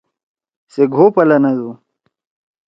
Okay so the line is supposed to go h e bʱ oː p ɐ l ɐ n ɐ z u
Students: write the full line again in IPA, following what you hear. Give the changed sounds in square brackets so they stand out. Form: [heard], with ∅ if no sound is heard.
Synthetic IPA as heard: [s] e [ɡʱ] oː p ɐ l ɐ n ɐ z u